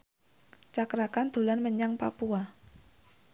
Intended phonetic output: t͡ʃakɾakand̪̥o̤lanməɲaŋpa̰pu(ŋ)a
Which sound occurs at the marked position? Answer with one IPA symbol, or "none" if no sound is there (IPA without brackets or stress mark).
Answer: none